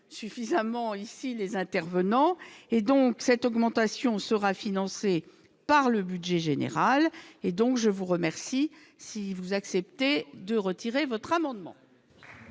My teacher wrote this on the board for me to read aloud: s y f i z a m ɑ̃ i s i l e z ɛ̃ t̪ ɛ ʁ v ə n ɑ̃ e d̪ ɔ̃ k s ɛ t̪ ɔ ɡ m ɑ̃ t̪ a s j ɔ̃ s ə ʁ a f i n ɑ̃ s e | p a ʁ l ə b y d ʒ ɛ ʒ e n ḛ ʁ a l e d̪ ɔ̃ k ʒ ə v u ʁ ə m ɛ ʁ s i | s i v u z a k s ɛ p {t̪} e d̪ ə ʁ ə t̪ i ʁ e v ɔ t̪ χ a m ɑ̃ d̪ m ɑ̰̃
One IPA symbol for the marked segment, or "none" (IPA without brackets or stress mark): t̪